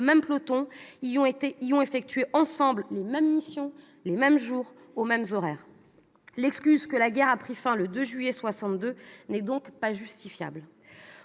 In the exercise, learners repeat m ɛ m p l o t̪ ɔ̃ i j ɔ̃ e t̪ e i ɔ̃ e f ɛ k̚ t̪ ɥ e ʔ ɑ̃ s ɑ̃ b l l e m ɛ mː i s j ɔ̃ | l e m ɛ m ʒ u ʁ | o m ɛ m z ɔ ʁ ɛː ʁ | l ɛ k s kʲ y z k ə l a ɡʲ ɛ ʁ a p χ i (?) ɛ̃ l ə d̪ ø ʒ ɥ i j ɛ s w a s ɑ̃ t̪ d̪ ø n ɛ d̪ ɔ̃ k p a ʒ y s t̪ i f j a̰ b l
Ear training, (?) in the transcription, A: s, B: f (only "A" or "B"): B